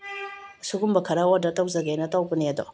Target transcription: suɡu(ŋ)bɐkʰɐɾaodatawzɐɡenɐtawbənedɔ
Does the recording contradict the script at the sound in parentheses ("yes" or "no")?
yes